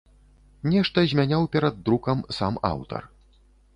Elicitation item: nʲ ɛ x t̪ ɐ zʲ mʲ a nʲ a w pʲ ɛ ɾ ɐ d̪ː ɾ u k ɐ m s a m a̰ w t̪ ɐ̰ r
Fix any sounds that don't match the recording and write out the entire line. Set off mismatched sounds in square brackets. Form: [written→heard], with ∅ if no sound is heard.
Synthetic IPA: nʲ ɛ [x→ʂ] t̪ ɐ zʲ mʲ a nʲ a w pʲ ɛ ɾ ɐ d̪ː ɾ u k ɐ m s a m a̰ w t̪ ɐ̰ r